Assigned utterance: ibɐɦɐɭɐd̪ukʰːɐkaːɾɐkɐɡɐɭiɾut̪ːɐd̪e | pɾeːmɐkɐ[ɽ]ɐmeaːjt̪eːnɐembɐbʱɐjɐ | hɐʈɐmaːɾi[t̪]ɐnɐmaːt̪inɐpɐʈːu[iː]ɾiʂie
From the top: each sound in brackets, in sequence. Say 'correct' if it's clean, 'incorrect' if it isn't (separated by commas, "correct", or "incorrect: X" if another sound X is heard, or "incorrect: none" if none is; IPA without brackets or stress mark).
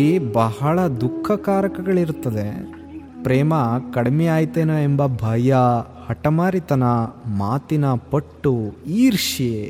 correct, correct, correct